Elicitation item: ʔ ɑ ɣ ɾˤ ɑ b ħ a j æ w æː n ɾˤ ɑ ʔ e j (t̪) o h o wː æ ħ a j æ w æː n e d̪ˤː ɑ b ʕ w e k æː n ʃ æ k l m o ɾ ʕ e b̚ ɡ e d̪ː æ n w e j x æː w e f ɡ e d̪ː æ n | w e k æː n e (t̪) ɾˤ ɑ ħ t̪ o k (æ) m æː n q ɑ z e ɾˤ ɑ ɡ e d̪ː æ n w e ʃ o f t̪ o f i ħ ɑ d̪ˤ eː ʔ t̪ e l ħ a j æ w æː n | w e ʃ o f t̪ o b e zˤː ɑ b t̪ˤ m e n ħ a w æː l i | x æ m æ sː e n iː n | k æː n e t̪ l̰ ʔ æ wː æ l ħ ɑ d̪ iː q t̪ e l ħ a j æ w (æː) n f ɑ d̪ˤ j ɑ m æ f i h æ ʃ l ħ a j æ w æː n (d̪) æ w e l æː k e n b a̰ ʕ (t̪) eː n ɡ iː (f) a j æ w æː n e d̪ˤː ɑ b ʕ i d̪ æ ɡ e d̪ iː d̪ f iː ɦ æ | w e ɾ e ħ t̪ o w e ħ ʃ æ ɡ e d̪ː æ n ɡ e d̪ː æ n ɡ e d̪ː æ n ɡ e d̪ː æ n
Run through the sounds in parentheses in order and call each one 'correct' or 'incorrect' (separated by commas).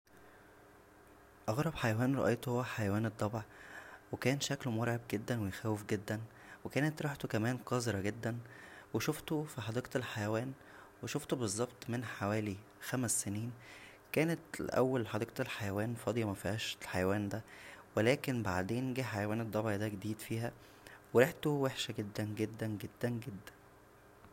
correct, correct, correct, correct, correct, incorrect, incorrect